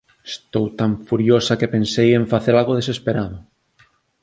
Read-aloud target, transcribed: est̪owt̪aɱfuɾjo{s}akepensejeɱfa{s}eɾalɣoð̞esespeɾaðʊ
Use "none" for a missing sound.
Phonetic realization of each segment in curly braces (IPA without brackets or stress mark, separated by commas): s, θ